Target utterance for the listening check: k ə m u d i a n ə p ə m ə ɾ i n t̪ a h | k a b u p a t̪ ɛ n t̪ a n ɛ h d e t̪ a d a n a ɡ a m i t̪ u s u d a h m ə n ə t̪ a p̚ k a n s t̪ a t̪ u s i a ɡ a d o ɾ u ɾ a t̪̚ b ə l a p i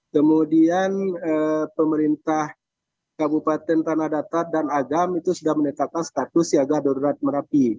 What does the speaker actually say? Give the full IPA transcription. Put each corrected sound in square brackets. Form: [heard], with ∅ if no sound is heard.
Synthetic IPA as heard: k ə m u d i a n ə p ə m ə ɾ i n t̪ a h | k a b u p a t̪ ɛ n t̪ a n [a] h d [a] t̪ a d a n a ɡ a m i t̪ u s u d a h m ə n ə t̪ a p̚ k a n s t̪ a t̪ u s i a ɡ a d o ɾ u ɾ a t̪̚ [m] ə [ɾ] a p i